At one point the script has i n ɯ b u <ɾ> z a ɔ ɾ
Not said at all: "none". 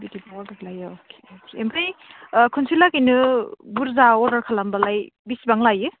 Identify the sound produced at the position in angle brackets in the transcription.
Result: ɾ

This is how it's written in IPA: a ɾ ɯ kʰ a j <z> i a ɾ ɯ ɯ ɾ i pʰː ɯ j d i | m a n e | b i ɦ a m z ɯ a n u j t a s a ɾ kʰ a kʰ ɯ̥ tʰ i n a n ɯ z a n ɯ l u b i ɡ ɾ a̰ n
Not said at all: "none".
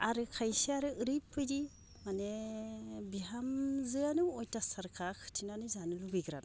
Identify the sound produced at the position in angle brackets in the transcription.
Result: s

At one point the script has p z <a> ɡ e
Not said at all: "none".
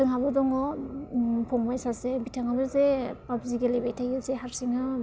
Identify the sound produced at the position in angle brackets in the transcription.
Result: i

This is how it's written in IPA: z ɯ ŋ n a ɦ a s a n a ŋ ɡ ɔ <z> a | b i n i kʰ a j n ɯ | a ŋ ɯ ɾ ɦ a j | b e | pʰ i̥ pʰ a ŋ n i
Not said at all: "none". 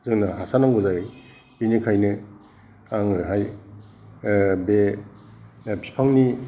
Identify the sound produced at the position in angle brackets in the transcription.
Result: z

